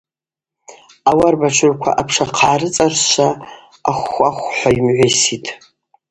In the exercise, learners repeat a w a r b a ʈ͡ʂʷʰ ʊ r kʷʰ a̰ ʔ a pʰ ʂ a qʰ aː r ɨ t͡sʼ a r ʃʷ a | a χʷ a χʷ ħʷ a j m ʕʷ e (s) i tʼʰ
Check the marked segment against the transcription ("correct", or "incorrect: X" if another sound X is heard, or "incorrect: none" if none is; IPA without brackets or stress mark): correct